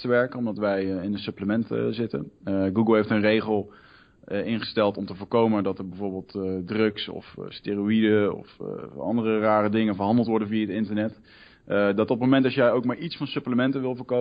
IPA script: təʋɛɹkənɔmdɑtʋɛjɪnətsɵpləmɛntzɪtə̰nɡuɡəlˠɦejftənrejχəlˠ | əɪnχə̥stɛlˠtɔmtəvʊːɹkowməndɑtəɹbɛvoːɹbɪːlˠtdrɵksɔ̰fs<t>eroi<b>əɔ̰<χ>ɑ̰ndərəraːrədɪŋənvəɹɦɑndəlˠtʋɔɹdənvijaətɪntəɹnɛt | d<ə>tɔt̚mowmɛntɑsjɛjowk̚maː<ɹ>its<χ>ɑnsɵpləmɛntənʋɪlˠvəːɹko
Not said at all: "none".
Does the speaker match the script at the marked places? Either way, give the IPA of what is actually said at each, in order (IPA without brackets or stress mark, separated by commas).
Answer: t, d, f, ɑ, ɹ, f